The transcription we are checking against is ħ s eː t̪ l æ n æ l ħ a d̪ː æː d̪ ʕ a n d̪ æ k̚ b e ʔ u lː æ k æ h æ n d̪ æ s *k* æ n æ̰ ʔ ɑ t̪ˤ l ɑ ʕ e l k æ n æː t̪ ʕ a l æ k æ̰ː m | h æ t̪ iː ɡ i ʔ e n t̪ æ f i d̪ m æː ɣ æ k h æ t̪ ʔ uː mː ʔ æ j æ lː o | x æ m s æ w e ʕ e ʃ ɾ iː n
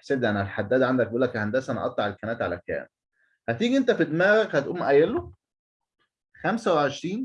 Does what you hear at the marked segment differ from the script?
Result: yes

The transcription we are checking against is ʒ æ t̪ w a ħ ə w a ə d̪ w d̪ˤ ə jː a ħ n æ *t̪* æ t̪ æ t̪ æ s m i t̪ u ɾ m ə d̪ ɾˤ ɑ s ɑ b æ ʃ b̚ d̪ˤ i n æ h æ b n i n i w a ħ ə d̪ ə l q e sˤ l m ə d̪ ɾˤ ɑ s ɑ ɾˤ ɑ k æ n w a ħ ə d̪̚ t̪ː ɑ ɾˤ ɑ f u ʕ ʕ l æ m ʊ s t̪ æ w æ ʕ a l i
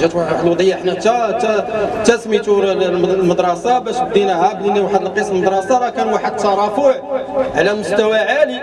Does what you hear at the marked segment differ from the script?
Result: no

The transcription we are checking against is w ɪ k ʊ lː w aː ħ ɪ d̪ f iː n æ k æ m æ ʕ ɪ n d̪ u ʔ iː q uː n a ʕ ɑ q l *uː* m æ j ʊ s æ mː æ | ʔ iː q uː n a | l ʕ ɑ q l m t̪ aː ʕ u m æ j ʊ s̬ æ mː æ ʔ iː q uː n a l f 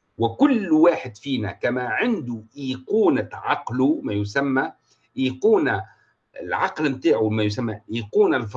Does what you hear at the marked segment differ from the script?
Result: yes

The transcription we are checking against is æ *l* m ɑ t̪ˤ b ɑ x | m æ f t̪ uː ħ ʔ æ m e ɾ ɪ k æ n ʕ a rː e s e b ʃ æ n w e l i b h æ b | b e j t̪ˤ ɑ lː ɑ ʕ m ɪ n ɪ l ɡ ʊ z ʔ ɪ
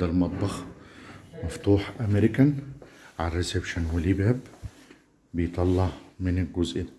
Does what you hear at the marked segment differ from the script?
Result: no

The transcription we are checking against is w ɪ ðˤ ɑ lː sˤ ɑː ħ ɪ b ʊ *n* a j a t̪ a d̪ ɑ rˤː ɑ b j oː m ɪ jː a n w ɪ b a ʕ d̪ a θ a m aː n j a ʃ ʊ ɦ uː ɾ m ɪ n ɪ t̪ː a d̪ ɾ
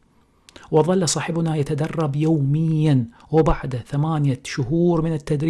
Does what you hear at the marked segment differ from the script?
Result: no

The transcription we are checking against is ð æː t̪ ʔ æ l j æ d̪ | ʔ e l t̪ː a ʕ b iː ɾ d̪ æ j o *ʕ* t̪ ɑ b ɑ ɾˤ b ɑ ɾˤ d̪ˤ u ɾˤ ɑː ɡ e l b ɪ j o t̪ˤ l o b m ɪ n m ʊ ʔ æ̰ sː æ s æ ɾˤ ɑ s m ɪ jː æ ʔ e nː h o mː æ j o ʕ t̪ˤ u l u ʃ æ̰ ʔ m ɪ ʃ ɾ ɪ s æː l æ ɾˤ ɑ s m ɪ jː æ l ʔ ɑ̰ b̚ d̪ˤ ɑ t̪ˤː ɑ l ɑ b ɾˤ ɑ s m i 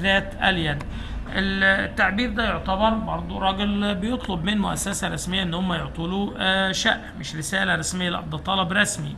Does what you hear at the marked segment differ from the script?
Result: no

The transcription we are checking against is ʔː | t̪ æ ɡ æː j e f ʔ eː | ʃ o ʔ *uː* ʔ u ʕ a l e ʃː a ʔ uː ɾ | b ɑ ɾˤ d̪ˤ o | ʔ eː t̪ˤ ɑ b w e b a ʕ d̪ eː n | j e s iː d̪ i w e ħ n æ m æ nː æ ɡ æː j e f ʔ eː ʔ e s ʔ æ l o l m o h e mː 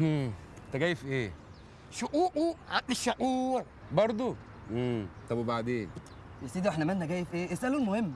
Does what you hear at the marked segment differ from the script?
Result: no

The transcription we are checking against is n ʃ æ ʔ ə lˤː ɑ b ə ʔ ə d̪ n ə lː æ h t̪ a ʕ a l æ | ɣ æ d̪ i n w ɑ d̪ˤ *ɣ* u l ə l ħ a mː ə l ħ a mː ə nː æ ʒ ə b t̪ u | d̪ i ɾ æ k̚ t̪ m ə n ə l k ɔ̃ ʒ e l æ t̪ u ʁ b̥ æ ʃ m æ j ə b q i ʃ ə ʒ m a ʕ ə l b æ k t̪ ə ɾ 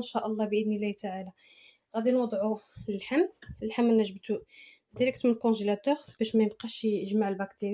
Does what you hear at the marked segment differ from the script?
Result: yes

